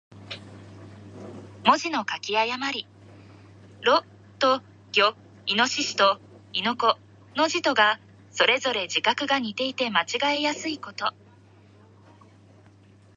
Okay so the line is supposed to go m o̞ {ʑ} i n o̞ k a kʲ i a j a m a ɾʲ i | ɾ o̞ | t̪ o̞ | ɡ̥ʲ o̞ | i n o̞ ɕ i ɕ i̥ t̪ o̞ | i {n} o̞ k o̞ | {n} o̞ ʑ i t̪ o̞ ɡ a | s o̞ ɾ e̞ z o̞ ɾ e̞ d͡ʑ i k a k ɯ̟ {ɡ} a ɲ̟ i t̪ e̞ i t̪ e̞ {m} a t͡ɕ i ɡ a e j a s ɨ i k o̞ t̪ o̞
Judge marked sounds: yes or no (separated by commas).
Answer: yes, yes, yes, yes, yes